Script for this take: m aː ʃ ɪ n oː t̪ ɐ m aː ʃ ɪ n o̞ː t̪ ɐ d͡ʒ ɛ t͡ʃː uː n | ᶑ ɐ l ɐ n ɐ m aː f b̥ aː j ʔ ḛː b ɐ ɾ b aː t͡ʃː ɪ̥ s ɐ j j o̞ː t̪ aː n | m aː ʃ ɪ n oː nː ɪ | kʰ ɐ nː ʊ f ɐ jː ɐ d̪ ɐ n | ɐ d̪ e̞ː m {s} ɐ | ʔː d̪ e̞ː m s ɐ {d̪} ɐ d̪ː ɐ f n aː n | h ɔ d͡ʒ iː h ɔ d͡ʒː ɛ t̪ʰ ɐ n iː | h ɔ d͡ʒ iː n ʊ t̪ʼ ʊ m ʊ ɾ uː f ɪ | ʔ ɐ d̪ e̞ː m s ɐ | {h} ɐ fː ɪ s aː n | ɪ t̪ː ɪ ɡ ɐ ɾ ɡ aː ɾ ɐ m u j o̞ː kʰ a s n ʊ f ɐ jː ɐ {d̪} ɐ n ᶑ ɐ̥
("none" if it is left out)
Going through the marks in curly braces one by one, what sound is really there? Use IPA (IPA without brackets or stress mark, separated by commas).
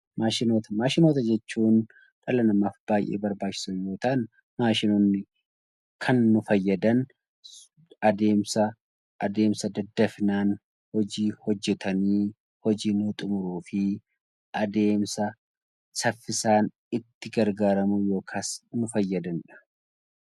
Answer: s, d̪, s, d̪